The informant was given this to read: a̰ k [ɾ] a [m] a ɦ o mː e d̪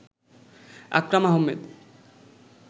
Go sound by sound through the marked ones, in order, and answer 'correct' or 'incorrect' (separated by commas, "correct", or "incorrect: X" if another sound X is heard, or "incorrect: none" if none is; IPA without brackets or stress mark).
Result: correct, correct